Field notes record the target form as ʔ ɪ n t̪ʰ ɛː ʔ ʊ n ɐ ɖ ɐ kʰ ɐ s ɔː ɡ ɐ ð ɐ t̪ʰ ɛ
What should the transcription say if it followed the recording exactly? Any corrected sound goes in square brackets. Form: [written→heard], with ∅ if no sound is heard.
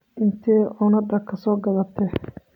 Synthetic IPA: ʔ ɪ n t̪ʰ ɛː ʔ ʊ n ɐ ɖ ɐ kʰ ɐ s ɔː ɡ ɐ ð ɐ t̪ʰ ɛ